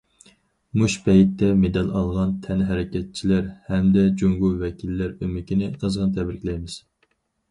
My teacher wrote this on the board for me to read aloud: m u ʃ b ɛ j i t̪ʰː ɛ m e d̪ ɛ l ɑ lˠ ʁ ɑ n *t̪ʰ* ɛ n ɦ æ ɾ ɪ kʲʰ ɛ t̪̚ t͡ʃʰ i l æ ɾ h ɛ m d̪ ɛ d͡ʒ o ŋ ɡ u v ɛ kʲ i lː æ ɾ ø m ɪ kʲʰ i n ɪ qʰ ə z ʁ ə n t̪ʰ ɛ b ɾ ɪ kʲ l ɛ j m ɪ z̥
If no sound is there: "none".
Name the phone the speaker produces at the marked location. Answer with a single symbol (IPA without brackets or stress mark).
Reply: t̪ʰ